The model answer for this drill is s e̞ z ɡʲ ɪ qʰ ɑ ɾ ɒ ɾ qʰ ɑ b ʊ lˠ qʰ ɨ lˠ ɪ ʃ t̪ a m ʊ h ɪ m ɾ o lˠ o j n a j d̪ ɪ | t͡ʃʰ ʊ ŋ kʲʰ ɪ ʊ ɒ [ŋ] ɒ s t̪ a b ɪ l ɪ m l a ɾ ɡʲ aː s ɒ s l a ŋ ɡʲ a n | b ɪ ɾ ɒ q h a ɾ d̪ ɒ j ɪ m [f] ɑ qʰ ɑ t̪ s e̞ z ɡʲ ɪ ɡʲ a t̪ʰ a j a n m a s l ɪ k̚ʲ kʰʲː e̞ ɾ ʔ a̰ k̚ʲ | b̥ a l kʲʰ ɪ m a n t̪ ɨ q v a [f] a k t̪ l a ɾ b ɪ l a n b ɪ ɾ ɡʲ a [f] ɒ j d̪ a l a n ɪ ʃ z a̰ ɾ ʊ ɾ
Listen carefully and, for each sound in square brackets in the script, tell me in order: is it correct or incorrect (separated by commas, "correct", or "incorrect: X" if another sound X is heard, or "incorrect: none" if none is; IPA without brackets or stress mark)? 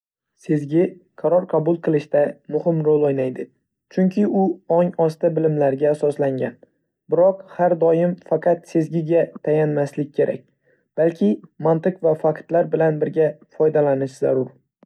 correct, correct, correct, correct